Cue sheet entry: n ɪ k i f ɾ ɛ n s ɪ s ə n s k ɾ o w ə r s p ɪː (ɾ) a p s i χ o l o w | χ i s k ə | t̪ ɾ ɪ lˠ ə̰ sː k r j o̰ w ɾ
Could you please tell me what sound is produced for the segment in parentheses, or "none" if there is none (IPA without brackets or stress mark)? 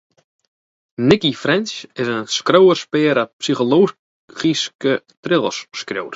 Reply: ɾ